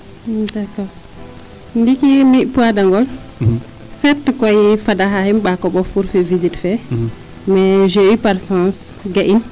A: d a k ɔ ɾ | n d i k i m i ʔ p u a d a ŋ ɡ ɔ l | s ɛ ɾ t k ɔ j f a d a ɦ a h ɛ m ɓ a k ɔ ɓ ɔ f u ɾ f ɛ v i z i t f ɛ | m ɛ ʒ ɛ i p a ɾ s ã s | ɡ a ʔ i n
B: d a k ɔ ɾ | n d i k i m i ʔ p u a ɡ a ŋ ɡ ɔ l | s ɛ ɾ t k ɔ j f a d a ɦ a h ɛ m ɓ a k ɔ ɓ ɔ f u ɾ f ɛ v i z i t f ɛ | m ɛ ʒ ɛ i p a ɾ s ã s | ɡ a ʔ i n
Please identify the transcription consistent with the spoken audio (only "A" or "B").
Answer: A